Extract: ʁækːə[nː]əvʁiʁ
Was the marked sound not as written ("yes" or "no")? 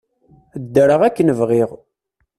yes